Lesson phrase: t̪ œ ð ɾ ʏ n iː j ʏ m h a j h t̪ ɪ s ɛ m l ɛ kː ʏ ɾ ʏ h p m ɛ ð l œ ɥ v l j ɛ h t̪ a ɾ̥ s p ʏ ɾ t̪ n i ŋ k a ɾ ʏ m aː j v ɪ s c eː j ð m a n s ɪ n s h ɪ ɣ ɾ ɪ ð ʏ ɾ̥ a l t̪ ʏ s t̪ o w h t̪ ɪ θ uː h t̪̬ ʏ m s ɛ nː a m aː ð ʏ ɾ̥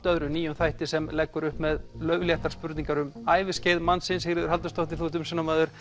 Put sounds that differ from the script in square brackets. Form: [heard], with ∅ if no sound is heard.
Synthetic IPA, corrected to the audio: t̪ œ ð ɾ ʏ n iː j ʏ m [θ] a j h t̪ ɪ s ɛ m l ɛ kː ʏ ɾ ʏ h p m ɛ ð l œ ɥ v l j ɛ h t̪ a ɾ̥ s p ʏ ɾ t̪ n i ŋ k a ɾ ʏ m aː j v ɪ s c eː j ð m a n s ɪ n s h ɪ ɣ ɾ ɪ ð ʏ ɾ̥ a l t̪ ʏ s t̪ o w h t̪ ɪ θ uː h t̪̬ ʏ m s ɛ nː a m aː ð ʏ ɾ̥